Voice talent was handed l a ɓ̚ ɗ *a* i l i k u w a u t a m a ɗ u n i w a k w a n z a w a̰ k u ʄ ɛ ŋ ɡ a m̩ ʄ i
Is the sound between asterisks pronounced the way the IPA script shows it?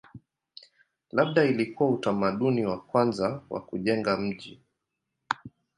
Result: yes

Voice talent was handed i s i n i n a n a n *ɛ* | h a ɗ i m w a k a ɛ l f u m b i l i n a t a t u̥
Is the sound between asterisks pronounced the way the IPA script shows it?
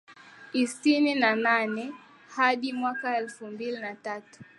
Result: yes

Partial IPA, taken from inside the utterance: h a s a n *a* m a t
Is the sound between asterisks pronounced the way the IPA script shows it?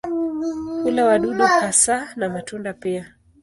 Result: yes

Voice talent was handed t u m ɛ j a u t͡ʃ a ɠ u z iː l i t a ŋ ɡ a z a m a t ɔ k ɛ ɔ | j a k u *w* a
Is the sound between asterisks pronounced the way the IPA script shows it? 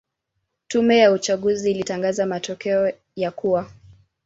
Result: yes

